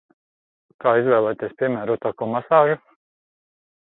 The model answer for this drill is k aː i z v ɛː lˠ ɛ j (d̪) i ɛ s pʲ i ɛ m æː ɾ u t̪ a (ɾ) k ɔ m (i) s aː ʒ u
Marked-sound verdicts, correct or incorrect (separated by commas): incorrect, incorrect, incorrect